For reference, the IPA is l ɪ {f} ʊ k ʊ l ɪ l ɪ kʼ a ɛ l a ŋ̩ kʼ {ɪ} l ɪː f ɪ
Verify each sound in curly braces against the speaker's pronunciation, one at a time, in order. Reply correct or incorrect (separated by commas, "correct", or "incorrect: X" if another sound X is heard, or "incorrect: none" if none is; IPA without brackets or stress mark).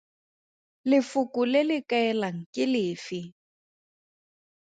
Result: correct, correct